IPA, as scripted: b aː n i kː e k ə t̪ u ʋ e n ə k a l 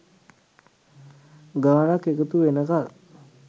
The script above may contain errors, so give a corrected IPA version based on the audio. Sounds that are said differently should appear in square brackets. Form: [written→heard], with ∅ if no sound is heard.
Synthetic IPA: [b→ɡ] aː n [i→a] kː e k ə t̪ u ʋ e n ə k a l